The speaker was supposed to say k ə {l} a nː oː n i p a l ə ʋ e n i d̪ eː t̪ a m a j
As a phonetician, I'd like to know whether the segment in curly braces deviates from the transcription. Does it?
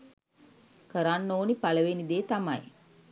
yes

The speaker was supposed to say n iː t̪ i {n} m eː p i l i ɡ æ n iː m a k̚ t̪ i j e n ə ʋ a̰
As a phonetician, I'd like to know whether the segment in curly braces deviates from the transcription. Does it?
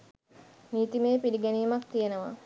yes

